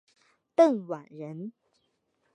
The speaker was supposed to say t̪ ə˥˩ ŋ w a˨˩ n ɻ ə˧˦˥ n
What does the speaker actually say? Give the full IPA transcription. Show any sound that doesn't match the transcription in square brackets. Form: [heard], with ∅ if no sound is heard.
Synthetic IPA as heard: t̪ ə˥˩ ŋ w a˨˩ n ɻ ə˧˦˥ n